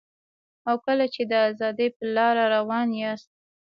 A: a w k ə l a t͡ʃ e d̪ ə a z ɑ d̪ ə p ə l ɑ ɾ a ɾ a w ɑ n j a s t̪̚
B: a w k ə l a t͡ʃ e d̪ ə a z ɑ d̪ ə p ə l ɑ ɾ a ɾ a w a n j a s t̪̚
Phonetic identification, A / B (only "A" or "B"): A